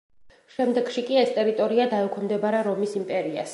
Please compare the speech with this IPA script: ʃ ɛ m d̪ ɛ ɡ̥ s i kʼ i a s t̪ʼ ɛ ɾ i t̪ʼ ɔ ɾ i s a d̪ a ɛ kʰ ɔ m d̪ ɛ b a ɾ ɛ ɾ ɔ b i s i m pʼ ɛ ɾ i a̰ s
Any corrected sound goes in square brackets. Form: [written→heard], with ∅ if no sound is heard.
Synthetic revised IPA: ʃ ɛ m d̪ ɛ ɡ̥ [s→ʃ] i kʼ i [a→ɛ] s t̪ʼ ɛ ɾ i t̪ʼ ɔ ɾ i [s→∅] a d̪ a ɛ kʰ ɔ m d̪ ɛ b a ɾ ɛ ɾ ɔ [b→m] i s i m pʼ ɛ ɾ i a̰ s